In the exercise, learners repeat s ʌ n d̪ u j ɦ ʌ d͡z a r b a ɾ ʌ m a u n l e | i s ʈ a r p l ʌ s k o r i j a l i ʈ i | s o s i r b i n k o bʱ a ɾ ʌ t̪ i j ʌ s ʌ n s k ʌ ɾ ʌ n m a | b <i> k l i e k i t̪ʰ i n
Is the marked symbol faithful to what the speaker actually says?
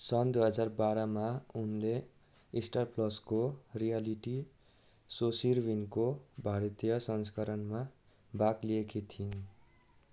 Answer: no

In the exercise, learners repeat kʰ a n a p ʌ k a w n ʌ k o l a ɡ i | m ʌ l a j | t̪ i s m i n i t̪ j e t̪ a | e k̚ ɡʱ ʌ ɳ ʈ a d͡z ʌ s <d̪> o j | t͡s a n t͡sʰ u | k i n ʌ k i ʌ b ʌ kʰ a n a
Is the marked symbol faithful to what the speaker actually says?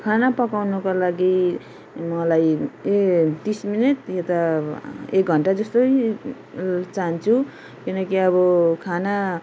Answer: no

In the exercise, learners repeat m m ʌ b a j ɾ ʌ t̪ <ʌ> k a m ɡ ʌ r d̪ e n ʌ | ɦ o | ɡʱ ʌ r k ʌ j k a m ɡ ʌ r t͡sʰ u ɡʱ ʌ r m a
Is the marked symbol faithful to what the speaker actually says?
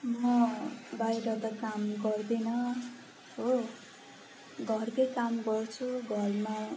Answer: yes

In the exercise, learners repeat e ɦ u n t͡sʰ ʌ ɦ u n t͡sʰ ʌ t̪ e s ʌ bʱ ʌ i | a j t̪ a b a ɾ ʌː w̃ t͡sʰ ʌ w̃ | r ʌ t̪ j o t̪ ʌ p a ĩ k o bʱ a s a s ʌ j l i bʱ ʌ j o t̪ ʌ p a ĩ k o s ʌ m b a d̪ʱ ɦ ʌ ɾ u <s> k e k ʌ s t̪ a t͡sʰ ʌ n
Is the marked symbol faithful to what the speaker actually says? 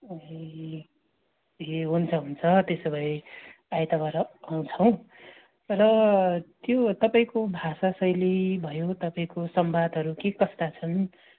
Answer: no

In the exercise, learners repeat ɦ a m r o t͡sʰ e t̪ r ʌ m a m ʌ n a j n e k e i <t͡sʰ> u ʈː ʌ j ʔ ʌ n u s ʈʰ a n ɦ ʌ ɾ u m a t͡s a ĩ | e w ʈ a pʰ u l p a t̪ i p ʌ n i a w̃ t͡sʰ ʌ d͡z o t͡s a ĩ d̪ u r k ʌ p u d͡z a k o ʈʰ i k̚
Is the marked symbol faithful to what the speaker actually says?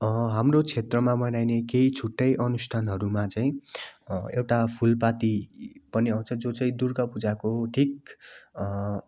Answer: yes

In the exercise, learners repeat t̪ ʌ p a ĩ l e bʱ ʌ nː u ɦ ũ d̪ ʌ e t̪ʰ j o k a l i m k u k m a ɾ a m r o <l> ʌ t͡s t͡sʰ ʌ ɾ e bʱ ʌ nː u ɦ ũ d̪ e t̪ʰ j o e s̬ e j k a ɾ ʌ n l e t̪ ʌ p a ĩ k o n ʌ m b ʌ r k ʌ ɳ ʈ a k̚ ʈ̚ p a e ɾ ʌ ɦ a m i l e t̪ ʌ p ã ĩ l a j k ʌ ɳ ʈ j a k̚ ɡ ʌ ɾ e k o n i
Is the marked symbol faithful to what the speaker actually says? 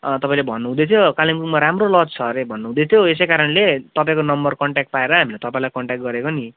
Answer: yes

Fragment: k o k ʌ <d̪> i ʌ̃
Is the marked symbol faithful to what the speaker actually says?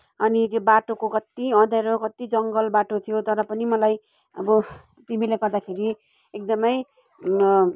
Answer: no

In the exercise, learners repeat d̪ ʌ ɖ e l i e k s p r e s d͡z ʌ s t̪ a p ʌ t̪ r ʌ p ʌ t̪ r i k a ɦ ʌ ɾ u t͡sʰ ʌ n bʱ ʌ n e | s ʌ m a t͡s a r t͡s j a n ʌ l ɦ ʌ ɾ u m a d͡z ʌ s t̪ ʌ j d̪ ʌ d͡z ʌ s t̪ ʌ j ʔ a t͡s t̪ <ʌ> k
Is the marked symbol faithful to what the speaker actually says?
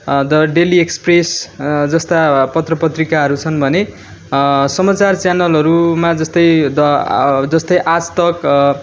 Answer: yes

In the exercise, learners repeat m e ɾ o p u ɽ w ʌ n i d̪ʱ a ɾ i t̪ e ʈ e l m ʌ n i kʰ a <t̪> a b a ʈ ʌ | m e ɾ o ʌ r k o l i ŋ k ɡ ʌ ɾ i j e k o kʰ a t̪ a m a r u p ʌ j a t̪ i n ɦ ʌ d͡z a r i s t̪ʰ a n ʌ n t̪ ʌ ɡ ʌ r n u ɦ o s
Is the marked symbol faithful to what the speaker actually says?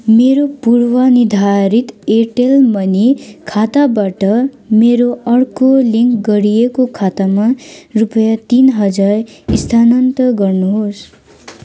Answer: yes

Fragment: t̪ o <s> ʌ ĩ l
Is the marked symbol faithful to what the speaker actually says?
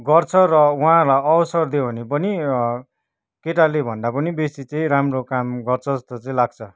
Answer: no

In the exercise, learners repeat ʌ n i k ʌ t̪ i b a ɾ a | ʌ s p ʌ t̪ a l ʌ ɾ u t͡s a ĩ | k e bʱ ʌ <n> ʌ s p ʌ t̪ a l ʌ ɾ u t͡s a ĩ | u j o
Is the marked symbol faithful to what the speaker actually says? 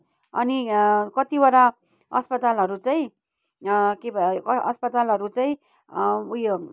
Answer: no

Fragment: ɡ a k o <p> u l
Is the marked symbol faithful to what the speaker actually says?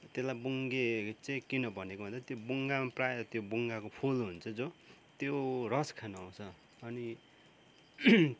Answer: no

